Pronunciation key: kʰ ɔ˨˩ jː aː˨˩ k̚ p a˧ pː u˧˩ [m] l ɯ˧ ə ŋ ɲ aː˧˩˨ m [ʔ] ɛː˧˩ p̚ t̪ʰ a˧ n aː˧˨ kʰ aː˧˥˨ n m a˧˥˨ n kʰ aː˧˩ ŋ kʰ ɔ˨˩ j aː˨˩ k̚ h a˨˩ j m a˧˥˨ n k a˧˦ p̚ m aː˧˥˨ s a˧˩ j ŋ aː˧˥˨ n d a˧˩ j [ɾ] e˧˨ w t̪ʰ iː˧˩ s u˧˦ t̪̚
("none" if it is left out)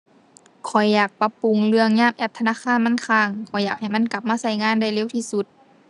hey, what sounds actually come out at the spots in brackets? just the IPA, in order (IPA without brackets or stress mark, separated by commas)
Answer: ŋ, ʔ, l